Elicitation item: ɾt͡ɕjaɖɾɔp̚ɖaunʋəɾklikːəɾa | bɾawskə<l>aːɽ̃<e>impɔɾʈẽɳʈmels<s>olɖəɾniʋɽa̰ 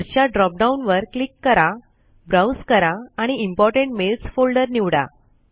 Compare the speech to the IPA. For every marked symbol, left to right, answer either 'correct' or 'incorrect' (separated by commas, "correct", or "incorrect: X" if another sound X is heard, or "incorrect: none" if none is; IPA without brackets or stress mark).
incorrect: ɾ, incorrect: i, incorrect: f